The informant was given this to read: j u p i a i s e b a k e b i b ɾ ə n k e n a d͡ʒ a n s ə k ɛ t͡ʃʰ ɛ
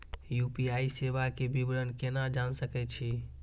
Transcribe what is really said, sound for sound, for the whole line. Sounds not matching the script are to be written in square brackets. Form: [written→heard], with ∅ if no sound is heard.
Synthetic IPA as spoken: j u p i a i s e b a k e b i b ɾ ə n k e n a d͡ʒ a n s ə k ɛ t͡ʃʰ [ɛ→i]